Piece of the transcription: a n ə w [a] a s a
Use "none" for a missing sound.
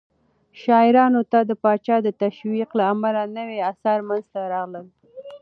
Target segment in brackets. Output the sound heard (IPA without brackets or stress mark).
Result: e